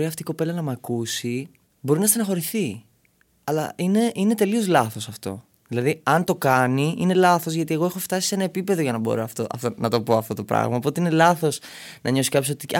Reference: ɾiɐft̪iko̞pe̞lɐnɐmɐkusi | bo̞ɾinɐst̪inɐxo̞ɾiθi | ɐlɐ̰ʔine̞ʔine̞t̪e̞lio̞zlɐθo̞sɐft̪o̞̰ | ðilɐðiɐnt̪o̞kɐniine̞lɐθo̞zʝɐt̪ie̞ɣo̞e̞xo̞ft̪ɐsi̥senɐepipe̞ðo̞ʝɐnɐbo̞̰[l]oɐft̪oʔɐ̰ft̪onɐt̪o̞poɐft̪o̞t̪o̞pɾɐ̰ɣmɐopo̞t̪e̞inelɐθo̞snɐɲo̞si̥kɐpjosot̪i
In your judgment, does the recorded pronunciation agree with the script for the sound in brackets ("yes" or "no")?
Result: no